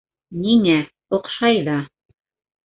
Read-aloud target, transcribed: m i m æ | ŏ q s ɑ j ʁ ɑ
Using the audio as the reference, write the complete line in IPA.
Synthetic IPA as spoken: n i ŋ æ | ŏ q ʃ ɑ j ð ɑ